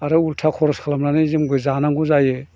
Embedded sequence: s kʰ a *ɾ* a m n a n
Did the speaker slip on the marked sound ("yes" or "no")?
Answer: yes